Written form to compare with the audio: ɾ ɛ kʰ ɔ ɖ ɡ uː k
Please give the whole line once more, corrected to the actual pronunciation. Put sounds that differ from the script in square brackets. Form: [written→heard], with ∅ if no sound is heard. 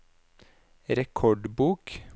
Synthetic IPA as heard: ɾ ɛ kʰ ɔ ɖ [ɡ→b] uː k

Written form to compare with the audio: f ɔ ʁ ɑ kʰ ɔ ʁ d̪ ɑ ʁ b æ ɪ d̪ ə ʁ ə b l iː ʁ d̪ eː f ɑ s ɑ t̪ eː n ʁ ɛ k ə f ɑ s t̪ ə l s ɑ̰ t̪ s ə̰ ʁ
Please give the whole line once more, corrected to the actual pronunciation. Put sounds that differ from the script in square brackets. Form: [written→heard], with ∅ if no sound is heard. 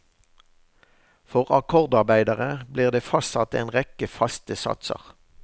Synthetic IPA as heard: f ɔ ʁ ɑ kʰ ɔ ʁ d̪ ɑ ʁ b æ ɪ d̪ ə ʁ ə b l iː ʁ d̪ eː f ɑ s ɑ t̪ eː n ʁ ɛ k ə f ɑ s t̪ ə [l→∅] s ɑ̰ t̪ s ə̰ ʁ

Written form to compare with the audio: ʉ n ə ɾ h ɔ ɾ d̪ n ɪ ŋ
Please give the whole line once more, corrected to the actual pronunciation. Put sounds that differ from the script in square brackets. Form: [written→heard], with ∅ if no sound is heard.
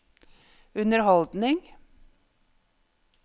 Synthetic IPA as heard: ʉ n ə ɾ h ɔ [ɾ→l] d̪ n ɪ ŋ

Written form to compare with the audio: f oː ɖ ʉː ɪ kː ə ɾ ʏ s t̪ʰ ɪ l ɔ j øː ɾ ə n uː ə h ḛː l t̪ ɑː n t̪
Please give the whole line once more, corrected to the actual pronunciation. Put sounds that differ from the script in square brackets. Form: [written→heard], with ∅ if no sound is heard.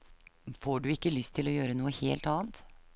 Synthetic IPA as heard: f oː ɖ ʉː ɪ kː ə [ɾ→l] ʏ s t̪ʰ ɪ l ɔ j øː ɾ ə n uː ə h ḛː l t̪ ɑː n t̪

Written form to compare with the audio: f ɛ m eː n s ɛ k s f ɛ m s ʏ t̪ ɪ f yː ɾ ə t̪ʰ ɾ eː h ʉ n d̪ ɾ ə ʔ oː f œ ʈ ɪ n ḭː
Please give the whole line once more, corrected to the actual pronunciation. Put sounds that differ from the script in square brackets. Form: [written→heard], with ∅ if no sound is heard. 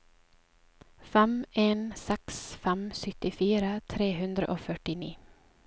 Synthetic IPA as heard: f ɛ m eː n s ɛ k s f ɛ m s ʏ t̪ ɪ f [yː→iː] ɾ ə t̪ʰ ɾ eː h ʉ n d̪ ɾ ə ʔ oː f œ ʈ ɪ n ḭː

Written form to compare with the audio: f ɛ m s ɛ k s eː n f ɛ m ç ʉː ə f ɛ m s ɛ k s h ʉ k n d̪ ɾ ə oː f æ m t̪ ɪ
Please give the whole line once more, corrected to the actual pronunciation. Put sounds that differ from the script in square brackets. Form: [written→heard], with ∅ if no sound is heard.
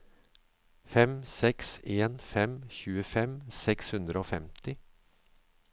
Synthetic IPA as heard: f ɛ m s ɛ k s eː n f ɛ m ç ʉː ə f ɛ m s ɛ k s h ʉ [k→∅] n d̪ ɾ ə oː f [æ→ɛ] m t̪ ɪ

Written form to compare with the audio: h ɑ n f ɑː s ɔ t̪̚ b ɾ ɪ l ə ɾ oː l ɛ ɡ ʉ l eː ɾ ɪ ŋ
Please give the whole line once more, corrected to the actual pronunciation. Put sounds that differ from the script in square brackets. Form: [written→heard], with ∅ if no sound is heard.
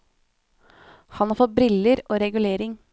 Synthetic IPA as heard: h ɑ n [f→h] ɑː [s→f] ɔ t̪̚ b ɾ ɪ l ə ɾ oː [l→ɾ] ɛ ɡ ʉ l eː ɾ ɪ ŋ

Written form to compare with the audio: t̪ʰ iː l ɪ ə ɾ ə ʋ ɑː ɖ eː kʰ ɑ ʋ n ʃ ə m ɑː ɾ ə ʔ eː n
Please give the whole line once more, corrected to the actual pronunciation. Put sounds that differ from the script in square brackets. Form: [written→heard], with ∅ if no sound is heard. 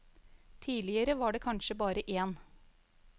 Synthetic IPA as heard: t̪ʰ iː l ɪ ə ɾ ə ʋ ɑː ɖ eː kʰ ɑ [ʋ→∅] n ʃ ə [m→b] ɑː ɾ ə ʔ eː n

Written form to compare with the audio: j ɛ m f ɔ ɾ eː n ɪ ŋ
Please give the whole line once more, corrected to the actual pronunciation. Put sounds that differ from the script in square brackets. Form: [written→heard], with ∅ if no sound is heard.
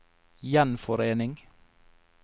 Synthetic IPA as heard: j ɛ [m→n] f ɔ ɾ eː n ɪ ŋ

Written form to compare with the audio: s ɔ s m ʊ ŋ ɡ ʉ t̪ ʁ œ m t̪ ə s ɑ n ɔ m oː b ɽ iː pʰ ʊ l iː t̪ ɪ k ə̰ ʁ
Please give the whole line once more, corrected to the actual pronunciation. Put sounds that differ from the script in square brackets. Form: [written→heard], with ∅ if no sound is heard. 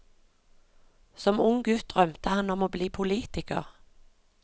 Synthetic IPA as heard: s ɔ [s→∅] m ʊ ŋ ɡ ʉ t̪ ʁ œ m t̪ ə [s→h] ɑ n ɔ m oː b [ɽ→l] iː pʰ ʊ l iː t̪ ɪ k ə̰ ʁ

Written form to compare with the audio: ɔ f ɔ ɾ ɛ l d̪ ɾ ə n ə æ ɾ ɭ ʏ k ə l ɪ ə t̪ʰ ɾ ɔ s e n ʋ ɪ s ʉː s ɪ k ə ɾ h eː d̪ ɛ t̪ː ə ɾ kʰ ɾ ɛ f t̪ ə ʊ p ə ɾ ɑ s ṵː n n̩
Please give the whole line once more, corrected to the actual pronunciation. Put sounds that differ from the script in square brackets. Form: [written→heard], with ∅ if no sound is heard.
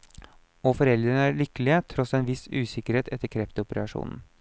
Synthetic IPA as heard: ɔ f ɔ ɾ ɛ l d̪ ɾ ə n ə æ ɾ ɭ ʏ k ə l ɪ ə t̪ʰ ɾ ɔ s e n ʋ ɪ s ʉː s ɪ k ə ɾ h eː [d̪→t̪] ɛ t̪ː ə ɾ kʰ ɾ ɛ f t̪ ə ʊ p ə ɾ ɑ [s→ʂ] ṵː n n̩

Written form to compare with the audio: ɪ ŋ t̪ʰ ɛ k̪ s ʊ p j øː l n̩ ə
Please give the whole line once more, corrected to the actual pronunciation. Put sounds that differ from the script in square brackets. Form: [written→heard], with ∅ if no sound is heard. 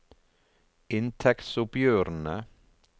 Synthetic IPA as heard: ɪ [ŋ→n] t̪ʰ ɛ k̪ s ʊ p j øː [l→ɾ] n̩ ə

